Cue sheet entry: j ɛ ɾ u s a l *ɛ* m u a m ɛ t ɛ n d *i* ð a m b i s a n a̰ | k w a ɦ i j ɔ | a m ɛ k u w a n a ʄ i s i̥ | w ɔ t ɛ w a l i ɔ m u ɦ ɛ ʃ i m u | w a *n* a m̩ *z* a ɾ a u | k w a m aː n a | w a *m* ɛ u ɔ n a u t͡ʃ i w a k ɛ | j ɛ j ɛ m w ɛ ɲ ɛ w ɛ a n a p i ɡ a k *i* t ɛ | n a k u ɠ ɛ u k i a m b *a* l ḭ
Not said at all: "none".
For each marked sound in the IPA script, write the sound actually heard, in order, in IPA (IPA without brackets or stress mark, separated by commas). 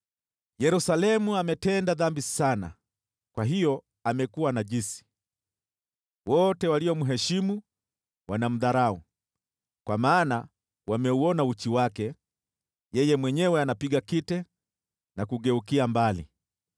ɛ, a, n, ð, m, i, a